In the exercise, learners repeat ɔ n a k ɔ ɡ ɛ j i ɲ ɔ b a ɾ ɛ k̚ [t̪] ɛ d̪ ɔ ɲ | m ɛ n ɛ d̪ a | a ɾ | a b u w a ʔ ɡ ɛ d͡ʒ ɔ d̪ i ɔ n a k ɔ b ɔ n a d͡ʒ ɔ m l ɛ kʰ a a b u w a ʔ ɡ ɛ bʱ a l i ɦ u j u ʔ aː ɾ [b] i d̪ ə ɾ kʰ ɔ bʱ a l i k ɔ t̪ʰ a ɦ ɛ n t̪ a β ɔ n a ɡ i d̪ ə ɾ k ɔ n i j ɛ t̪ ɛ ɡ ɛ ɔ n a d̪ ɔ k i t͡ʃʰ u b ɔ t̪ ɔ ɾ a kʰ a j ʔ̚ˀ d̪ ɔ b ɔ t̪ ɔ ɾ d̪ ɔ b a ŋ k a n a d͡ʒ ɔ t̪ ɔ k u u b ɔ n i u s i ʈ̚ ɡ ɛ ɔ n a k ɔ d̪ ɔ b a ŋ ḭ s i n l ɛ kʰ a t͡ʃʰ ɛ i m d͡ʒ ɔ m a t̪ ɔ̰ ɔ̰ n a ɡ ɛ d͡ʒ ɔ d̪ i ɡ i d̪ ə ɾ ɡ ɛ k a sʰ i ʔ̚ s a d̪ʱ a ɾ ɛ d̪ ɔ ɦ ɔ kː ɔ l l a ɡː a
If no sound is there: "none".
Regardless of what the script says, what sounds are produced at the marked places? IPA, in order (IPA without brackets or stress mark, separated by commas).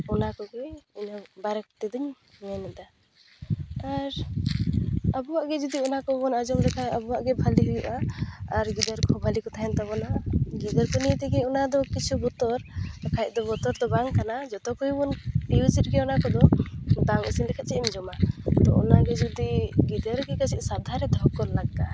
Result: t̪, ɡ